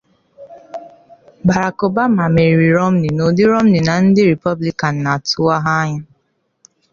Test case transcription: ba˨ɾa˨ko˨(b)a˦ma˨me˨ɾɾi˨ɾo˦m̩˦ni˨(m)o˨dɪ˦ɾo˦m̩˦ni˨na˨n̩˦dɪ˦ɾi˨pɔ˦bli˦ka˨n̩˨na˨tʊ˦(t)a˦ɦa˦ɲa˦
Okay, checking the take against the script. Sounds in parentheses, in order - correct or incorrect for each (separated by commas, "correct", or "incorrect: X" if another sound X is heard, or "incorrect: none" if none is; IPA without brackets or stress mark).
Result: correct, incorrect: n, incorrect: none